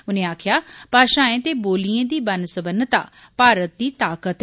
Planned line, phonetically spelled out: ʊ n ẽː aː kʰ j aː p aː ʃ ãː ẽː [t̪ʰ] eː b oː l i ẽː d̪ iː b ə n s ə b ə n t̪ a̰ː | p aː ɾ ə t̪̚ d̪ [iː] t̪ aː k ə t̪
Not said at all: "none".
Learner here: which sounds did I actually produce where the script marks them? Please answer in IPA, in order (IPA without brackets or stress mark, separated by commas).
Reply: t̪, iː